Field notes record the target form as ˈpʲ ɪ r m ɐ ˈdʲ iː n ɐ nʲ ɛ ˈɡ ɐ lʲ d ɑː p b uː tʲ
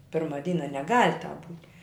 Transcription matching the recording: ˈpʲ ɪ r m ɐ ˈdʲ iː n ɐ nʲ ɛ ˈɡ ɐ lʲ t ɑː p b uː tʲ